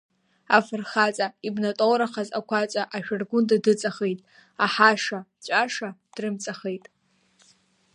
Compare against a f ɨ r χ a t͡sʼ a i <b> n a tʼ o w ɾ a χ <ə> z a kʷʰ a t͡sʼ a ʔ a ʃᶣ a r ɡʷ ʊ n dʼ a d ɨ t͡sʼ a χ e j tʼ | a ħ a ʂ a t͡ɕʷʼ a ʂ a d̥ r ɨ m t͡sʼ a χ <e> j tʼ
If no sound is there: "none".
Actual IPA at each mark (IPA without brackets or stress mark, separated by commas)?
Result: b, a, e